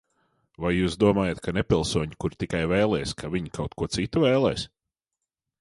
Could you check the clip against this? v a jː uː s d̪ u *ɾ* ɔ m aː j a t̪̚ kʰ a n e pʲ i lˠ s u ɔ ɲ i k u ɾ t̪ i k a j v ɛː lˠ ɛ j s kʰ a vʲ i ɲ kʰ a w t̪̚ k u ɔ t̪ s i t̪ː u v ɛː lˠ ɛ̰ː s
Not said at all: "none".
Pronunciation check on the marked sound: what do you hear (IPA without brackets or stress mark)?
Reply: none